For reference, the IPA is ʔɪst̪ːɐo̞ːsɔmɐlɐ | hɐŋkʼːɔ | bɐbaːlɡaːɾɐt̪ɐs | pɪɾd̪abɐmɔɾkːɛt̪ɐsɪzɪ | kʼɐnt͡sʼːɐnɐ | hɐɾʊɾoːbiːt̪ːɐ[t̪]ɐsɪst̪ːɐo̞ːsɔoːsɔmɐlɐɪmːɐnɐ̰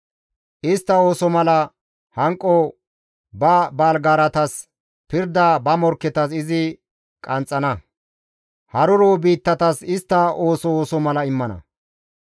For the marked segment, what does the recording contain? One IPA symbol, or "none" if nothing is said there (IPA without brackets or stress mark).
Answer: t̪